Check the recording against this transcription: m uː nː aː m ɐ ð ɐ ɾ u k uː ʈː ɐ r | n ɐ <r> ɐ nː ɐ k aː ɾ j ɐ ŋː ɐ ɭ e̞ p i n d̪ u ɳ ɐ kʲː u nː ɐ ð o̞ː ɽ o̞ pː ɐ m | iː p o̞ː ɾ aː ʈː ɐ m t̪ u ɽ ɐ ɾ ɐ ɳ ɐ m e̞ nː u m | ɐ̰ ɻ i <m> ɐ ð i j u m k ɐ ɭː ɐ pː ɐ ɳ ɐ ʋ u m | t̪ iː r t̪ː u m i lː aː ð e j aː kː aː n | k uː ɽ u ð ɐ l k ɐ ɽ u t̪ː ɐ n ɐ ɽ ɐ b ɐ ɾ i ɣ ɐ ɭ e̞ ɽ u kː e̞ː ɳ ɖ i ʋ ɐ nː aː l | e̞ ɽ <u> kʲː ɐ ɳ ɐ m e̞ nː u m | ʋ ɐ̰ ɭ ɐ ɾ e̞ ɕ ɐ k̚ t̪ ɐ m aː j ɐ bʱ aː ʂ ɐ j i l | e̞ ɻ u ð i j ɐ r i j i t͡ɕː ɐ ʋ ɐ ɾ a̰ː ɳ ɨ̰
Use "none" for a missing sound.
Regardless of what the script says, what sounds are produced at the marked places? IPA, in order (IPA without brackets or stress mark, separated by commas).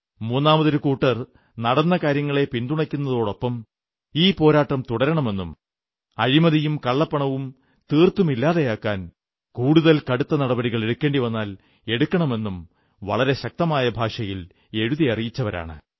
ɽ, m, u